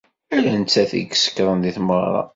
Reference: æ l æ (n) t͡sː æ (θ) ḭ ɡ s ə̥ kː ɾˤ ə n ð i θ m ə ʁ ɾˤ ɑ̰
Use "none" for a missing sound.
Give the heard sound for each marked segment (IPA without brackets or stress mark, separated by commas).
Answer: n, θ